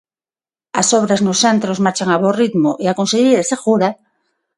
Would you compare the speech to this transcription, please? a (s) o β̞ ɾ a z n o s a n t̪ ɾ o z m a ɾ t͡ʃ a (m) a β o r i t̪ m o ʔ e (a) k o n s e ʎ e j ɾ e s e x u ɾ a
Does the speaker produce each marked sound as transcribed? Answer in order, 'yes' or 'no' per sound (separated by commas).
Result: yes, no, yes